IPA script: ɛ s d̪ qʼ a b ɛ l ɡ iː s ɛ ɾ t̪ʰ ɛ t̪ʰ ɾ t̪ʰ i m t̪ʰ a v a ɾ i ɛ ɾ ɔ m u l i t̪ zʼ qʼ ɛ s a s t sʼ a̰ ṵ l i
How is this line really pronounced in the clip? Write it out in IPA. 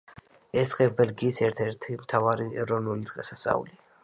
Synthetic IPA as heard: ɛ s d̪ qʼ ɛ b ɛ l ɡ iː s ɛ ɾ t̪ʰ ɛ ɾ t̪ʰ i m t̪ʰ a v a ɾ i ɛ ɾ ɔ n u l i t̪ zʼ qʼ ɛ s a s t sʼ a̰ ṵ l i